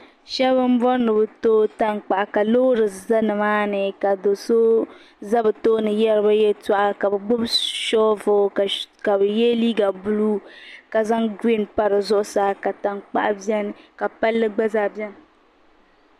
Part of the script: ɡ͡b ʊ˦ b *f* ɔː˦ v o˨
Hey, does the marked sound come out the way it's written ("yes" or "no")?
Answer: no